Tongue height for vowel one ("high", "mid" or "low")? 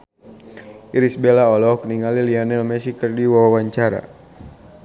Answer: high